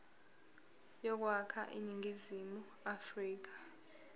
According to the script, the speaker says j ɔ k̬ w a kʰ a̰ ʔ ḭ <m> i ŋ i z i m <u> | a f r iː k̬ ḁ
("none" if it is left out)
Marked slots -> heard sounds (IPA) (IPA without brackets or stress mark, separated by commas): n, u